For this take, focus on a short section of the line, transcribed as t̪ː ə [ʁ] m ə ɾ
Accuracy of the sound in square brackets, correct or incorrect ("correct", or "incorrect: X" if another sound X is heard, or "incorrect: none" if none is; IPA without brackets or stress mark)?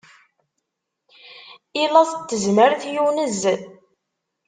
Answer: incorrect: z